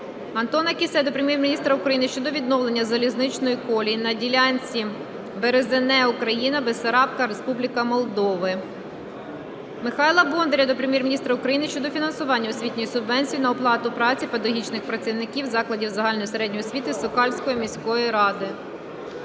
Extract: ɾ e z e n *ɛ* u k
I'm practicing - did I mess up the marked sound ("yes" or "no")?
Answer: no